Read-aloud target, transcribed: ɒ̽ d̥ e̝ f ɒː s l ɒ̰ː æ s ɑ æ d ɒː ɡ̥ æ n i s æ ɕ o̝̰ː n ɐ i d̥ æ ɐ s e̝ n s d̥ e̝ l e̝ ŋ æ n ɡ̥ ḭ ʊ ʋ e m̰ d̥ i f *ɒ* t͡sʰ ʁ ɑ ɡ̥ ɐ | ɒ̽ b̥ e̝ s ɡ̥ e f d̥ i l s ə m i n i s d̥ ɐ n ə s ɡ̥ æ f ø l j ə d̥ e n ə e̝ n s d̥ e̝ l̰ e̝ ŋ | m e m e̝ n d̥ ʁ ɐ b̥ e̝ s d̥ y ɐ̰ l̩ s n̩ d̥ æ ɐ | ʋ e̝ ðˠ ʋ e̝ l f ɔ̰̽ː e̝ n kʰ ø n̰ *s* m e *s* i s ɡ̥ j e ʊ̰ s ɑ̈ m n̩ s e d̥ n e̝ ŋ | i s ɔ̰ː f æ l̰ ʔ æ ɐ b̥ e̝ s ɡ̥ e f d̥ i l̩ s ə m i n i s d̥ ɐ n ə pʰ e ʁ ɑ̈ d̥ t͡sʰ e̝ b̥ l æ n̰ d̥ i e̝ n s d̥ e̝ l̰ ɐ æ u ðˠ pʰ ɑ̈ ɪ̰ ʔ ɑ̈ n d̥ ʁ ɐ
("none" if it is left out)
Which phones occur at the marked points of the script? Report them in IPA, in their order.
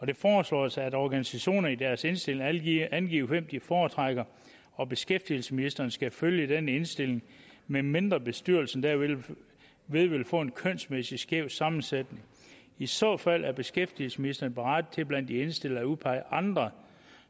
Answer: ɒː, s, s

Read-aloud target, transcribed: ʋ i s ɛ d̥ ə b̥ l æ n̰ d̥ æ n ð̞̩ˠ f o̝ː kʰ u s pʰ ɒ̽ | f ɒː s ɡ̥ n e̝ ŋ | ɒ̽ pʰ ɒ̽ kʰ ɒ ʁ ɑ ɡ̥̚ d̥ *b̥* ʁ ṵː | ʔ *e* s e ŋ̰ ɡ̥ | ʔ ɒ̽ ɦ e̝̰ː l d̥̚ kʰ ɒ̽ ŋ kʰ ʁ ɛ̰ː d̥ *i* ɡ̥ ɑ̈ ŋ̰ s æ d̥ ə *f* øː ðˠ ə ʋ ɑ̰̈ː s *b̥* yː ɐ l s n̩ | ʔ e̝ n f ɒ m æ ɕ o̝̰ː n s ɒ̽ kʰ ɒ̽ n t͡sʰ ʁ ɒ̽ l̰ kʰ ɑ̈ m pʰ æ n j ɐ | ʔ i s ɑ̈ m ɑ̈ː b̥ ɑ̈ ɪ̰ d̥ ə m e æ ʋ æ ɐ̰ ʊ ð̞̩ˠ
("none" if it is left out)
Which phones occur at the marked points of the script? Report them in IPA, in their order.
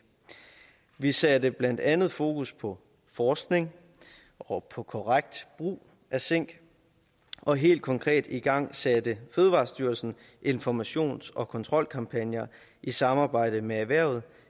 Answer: b̥, æ, i, f, d̥

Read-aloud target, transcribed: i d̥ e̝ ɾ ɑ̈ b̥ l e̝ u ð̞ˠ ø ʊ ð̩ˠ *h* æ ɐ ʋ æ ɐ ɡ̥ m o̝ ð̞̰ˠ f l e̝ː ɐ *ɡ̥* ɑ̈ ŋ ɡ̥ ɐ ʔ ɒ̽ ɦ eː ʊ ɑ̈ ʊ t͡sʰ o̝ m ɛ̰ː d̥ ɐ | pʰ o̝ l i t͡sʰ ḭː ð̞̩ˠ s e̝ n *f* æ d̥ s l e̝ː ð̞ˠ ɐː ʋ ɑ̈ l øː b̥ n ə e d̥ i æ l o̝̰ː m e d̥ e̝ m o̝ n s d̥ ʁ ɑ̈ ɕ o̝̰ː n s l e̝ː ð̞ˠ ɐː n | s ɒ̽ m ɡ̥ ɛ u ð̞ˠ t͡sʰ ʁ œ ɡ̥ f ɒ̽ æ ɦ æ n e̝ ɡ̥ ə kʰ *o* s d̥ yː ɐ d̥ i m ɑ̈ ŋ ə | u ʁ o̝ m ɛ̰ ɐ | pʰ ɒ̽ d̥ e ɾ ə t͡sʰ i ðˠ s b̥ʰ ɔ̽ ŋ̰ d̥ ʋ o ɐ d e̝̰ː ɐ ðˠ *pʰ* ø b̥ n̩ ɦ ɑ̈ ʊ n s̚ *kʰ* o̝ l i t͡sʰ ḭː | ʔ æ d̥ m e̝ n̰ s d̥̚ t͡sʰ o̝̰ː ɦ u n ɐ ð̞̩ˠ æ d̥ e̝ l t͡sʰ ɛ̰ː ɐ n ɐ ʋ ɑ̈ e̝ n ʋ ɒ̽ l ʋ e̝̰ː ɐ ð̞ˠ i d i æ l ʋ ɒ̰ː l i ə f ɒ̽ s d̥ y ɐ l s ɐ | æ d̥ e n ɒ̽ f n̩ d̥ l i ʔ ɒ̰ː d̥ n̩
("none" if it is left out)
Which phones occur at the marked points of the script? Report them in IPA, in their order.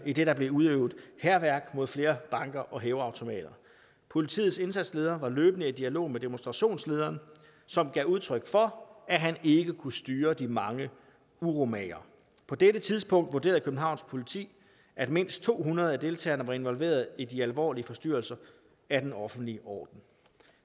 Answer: h, b̥, s, u, kʰ, pʰ

